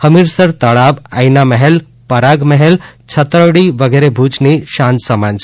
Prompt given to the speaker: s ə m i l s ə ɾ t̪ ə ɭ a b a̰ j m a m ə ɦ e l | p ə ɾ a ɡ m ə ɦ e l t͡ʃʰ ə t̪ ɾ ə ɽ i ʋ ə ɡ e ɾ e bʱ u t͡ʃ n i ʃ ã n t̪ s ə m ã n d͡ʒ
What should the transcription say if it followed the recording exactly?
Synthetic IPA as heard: h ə m i ɾ s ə ɾ t̪ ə ɭ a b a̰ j n a m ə ɦ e l | p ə ɾ a ɡ m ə ɦ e l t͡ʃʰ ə t̪ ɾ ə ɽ i ʋ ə ɡ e ɾ e bʱ u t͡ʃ n i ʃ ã n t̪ s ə m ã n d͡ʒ